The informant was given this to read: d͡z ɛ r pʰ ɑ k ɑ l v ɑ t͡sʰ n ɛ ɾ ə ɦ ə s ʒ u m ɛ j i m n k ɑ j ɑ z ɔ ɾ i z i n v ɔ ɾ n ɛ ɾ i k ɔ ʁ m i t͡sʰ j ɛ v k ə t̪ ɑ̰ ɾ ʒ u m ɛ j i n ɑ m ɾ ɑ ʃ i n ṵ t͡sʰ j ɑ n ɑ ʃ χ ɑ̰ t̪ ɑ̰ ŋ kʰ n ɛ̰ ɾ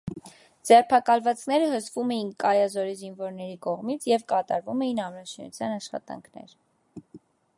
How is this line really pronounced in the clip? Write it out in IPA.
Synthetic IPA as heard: d͡z ɛ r pʰ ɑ k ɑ l v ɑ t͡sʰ n ɛ ɾ ə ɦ ə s v u m ɛ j i n k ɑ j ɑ z ɔ ɾ i z i n v ɔ ɾ n ɛ ɾ i k ɔ ʁ m i t͡sʰ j ɛ v k ɑ t̪ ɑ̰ ɾ v u m ɛ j i n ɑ m ɾ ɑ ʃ i n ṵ t͡sʰ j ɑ n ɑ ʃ χ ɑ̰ t̪ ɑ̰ ŋ kʰ n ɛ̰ ɾ